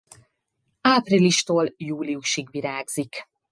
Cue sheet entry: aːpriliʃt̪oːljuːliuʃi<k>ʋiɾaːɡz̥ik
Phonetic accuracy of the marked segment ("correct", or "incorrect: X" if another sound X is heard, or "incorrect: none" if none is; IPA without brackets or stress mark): incorrect: ɡ